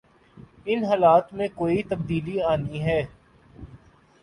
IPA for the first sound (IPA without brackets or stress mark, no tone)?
ɪ